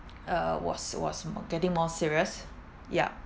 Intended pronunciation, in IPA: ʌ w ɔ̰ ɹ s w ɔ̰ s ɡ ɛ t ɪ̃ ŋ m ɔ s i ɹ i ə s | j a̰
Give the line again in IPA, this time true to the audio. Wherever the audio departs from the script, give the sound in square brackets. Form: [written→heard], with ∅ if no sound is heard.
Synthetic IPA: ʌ w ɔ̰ [ɹ→∅] s w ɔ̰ s ɡ ɛ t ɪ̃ ŋ m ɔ s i ɹ i ə s | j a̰